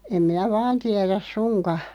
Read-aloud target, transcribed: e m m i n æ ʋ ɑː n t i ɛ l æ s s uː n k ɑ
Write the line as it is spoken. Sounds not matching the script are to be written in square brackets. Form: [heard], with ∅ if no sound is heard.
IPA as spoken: e m m i n æ ʋ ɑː n t i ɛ [r] æ s s [u] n k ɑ